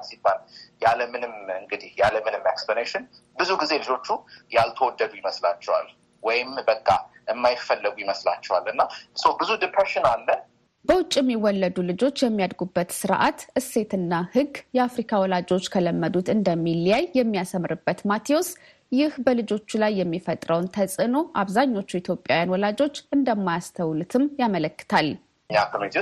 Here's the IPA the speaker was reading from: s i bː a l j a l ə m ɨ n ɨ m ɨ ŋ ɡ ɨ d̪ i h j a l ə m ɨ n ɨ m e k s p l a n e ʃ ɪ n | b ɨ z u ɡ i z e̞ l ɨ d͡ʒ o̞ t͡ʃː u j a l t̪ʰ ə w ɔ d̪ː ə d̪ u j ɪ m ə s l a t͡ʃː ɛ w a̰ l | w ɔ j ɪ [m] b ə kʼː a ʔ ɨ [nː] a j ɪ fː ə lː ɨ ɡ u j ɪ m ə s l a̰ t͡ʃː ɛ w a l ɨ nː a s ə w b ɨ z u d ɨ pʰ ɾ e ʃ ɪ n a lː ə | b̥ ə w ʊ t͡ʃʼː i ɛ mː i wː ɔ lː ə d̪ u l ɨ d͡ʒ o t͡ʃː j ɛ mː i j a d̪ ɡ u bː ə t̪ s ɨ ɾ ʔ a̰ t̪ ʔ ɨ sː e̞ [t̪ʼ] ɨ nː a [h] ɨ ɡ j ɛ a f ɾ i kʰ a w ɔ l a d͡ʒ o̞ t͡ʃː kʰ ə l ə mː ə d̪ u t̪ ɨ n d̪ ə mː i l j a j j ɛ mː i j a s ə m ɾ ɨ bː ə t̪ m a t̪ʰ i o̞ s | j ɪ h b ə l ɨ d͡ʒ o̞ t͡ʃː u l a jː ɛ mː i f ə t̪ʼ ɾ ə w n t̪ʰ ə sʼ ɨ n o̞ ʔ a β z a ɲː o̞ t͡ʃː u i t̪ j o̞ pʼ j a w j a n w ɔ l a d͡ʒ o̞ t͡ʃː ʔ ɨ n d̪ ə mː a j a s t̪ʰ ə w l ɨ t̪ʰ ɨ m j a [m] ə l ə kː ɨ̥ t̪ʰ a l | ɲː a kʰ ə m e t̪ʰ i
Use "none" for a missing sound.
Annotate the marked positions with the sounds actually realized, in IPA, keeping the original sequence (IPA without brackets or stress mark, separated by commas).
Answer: m, mː, t̪, h, m